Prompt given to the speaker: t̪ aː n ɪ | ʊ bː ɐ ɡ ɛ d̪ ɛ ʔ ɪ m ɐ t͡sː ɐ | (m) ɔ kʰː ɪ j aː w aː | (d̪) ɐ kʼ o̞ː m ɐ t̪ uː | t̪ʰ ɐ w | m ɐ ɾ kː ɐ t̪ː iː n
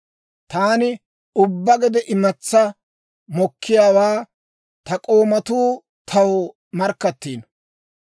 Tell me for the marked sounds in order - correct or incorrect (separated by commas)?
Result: correct, incorrect